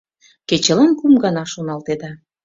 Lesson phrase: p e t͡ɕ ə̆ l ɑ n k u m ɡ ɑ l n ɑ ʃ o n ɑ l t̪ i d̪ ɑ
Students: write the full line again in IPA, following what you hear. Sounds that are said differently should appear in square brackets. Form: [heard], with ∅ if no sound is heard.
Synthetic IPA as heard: [k] e t͡ɕ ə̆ l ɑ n k u m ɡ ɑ [∅] n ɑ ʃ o n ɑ l t̪ [e] d̪ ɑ